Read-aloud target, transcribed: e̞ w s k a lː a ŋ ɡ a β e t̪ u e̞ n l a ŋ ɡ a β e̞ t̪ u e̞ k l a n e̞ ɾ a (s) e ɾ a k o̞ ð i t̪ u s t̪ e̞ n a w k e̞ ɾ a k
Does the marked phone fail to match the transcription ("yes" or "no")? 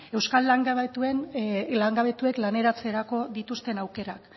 yes